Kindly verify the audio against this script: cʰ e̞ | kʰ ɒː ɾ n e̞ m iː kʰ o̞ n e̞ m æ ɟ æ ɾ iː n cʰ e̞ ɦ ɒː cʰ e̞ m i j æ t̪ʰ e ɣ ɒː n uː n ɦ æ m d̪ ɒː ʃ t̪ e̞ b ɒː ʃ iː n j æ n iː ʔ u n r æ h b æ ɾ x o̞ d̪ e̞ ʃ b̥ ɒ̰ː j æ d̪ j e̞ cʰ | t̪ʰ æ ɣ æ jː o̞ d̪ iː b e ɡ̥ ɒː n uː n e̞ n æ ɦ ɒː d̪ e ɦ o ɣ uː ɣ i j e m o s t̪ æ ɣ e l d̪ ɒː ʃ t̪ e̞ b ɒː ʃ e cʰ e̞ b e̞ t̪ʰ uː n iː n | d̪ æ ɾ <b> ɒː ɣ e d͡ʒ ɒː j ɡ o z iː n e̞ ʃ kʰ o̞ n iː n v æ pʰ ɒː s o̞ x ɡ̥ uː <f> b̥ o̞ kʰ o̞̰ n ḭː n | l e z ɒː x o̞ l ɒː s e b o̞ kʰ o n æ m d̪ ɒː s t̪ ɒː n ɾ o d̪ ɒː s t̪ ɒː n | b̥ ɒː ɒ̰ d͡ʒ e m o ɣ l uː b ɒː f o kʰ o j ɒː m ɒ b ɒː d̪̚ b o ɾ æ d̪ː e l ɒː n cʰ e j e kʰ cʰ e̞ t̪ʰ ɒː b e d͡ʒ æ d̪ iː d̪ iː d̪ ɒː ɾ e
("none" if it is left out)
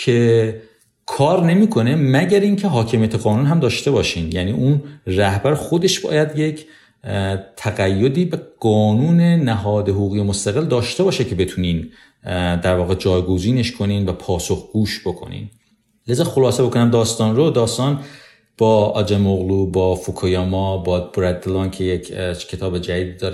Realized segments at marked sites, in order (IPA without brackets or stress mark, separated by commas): v, ʃ